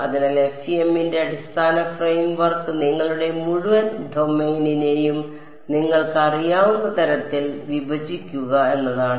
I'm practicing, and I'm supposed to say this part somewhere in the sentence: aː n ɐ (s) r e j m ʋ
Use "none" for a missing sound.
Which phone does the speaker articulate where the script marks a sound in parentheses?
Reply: f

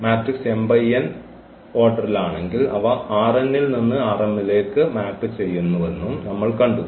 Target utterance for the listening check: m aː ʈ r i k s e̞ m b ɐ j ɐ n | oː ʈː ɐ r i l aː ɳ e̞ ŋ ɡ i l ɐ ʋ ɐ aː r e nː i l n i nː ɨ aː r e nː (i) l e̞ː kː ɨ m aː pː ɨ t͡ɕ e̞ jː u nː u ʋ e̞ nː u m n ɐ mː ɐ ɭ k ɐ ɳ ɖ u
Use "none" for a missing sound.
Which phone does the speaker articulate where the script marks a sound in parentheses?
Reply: i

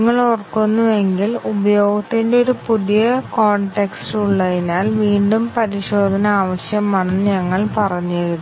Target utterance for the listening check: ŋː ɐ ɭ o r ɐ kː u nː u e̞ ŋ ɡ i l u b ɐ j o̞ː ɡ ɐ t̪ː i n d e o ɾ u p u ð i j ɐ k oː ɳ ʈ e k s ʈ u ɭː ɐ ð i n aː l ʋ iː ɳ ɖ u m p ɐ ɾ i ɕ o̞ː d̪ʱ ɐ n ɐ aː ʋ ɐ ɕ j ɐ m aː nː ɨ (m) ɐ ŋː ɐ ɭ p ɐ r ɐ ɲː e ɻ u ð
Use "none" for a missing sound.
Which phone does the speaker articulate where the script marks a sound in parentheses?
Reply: ɲ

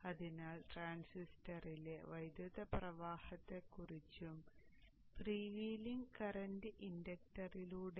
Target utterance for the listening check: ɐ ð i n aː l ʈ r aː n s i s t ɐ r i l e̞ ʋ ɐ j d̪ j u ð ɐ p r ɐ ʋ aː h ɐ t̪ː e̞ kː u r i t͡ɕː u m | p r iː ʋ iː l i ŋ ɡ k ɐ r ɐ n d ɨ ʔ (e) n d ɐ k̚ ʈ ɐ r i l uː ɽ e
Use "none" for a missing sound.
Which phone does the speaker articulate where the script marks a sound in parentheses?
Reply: i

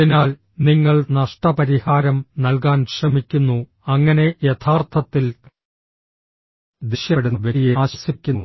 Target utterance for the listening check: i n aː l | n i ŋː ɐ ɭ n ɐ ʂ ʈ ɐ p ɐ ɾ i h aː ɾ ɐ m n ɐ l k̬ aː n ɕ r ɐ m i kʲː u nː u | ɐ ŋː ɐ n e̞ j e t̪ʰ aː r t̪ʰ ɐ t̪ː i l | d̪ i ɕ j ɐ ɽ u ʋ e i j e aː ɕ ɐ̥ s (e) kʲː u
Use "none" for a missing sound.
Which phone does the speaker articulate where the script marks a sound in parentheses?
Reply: i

